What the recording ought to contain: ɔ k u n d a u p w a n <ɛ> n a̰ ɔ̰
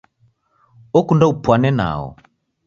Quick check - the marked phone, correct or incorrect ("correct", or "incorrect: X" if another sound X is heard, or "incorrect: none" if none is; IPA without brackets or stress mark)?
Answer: correct